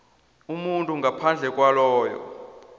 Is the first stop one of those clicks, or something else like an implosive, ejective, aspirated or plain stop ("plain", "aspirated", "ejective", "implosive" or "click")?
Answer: ejective